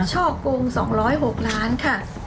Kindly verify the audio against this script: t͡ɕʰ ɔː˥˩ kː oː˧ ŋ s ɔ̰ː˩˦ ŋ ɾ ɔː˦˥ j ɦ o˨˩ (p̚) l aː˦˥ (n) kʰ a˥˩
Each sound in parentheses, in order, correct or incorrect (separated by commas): incorrect, correct